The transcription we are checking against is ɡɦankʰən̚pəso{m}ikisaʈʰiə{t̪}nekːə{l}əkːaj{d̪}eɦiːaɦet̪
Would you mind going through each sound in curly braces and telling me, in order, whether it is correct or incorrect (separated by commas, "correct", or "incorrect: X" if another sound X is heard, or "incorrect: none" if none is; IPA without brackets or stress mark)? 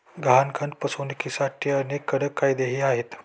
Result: incorrect: n, incorrect: none, incorrect: ɽ, correct